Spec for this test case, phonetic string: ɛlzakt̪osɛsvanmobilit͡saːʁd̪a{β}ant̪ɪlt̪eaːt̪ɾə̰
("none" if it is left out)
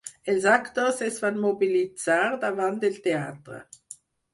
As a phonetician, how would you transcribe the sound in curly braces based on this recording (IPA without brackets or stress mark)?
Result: v